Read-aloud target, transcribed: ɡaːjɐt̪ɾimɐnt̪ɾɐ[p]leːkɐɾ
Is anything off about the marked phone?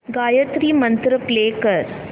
no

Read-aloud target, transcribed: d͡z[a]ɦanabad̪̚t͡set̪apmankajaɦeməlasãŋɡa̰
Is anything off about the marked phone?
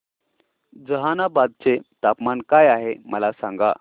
yes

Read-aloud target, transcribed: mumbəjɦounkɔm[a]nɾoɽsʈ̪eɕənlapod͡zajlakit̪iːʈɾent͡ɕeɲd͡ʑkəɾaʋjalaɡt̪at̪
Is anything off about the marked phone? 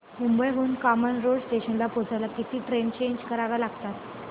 yes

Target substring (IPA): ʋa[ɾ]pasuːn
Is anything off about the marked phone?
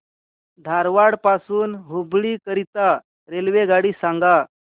yes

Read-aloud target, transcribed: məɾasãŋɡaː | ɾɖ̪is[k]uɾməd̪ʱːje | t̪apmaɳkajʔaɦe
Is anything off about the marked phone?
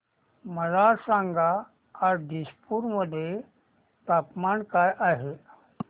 yes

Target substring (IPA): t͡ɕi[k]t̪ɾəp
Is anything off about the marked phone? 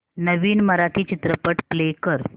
yes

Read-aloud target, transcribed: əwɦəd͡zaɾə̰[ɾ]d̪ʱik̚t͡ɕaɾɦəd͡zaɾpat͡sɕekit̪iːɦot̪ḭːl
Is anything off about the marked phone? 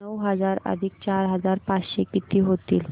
yes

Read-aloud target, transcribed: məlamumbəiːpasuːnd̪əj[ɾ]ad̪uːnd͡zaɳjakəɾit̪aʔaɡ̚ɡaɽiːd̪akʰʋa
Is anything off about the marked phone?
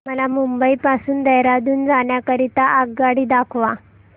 no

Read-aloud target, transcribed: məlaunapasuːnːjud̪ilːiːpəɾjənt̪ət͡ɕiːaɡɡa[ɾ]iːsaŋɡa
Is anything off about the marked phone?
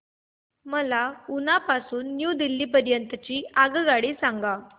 yes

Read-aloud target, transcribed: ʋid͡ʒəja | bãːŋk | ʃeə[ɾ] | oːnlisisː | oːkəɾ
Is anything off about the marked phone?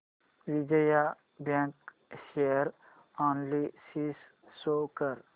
no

